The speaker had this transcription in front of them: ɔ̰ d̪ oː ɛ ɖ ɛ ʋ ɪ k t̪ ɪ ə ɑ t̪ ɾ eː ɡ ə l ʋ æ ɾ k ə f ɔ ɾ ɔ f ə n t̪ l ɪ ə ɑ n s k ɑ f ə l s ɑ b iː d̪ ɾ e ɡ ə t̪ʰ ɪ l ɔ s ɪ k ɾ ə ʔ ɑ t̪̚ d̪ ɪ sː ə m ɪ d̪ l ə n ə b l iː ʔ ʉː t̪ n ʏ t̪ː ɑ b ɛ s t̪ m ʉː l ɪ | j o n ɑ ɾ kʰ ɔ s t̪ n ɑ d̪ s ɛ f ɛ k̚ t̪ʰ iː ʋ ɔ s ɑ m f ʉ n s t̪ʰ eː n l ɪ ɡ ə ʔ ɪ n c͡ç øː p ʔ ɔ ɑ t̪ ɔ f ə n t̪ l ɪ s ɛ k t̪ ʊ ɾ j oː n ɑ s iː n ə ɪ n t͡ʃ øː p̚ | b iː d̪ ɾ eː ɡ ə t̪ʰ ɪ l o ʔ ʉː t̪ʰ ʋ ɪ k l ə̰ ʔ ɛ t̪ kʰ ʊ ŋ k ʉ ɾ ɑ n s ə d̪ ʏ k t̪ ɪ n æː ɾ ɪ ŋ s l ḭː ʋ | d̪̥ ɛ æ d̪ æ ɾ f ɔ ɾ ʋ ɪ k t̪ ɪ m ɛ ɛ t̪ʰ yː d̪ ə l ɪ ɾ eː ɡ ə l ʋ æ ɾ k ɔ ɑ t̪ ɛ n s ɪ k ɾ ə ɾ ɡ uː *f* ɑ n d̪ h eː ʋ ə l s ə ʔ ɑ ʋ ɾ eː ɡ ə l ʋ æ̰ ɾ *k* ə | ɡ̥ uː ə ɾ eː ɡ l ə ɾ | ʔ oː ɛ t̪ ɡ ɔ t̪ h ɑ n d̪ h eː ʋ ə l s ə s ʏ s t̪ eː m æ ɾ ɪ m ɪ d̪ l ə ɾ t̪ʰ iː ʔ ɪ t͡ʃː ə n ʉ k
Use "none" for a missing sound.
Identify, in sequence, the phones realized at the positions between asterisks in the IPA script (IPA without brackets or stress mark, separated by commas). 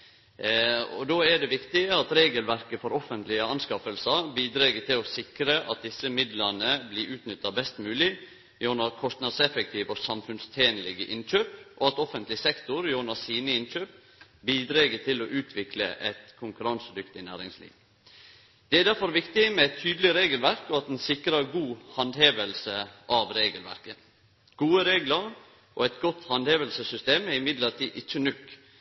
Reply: h, k